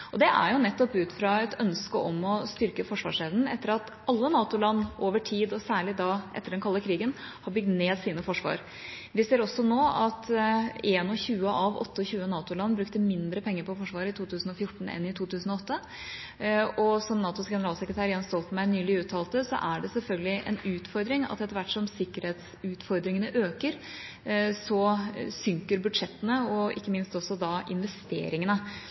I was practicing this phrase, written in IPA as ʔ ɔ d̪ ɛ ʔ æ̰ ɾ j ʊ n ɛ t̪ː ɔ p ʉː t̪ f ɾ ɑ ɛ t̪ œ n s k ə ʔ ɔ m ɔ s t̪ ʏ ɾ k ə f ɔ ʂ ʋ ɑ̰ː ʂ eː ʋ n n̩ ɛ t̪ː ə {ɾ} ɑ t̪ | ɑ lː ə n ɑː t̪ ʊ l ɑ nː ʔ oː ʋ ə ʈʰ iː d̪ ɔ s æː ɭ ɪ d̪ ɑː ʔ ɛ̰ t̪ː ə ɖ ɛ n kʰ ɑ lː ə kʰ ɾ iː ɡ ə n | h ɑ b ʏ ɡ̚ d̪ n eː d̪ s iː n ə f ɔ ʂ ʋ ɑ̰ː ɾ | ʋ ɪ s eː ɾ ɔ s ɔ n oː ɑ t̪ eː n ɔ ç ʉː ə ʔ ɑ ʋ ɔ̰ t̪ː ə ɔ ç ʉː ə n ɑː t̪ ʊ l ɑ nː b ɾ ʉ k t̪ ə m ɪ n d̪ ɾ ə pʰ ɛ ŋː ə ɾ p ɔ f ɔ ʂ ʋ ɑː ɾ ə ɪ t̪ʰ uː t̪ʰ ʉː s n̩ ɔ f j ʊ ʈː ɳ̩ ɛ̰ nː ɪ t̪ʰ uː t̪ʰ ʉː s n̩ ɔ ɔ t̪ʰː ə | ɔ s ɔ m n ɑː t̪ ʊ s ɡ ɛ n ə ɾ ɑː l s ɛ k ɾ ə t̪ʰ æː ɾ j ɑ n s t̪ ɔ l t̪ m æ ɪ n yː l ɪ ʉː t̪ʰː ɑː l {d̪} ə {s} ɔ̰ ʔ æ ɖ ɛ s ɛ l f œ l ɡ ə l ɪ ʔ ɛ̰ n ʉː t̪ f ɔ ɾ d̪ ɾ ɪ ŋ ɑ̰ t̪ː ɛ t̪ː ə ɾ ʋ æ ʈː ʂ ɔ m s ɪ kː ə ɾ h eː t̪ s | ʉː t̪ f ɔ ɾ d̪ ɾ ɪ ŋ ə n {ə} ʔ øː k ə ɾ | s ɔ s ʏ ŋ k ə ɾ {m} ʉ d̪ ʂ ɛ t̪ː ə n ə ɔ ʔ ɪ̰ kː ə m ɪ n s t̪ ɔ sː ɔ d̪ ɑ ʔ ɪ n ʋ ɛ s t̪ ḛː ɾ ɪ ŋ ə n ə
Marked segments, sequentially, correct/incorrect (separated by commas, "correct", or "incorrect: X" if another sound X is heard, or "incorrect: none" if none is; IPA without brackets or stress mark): correct, incorrect: t̪, correct, correct, incorrect: b